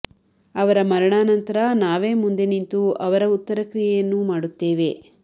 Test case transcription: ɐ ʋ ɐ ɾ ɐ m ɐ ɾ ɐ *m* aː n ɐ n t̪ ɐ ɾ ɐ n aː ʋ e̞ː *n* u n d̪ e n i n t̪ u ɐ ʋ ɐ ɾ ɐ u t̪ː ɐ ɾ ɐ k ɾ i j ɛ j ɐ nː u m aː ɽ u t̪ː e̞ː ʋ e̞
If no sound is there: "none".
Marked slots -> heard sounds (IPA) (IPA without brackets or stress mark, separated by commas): ɳ, m